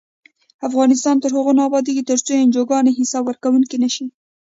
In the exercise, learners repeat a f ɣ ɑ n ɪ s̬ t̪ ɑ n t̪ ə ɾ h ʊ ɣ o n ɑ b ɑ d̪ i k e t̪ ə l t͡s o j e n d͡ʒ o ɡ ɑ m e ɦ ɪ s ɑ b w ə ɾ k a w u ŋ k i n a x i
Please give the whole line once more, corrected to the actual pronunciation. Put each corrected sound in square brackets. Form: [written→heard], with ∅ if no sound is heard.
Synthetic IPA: a f ɣ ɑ n ɪ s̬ t̪ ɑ n t̪ ə ɾ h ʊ ɣ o n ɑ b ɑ d̪ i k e t̪ ə [l→ɾ] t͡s o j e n d͡ʒ o ɡ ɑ [m→n] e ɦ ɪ s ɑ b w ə ɾ k a w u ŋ k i n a [x→ʃ] i